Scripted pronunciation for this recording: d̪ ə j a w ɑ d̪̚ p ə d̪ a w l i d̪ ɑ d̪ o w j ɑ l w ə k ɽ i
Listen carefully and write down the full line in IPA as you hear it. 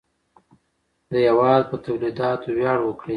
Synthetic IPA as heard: d̪ ə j a w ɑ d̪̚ p ə t̪ a w l i d̪ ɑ t̪ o w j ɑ ɽ w ə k ɽ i